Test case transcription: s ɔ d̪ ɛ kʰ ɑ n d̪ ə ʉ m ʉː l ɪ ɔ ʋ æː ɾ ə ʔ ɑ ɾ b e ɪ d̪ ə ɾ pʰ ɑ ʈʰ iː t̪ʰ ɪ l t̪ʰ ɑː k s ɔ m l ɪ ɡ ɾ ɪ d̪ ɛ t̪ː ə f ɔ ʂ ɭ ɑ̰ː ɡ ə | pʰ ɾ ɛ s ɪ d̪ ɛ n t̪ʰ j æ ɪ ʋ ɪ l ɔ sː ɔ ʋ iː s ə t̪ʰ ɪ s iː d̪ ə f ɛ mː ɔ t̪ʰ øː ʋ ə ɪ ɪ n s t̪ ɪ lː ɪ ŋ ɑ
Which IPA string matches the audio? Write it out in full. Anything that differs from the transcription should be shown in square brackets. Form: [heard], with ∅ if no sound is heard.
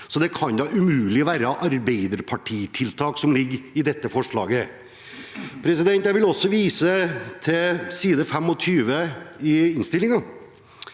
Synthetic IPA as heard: s ɔ d̪ ɛ kʰ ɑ n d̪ [ɑ] ʉ m ʉː l ɪ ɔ ʋ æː ɾ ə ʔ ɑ ɾ b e ɪ d̪ ə ɾ pʰ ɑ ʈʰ iː t̪ʰ ɪ l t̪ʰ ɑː k s ɔ m l ɪ ɡ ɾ ɪ d̪ ɛ t̪ː ə f ɔ ʂ ɭ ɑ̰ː ɡ ə | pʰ ɾ ɛ s ɪ d̪ ɛ n [t̪] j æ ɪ ʋ ɪ l ɔ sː ɔ ʋ iː s ə t̪ʰ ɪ s iː d̪ ə f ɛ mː ɔ t̪ʰ [yː] ʋ ə ɪ ɪ n s t̪ ɪ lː ɪ ŋ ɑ